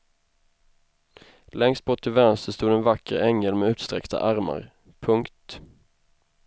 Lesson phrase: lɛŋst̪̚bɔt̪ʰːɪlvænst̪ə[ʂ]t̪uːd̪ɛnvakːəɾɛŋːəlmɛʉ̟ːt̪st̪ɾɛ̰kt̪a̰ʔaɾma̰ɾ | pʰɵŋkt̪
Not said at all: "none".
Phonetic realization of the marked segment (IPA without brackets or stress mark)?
s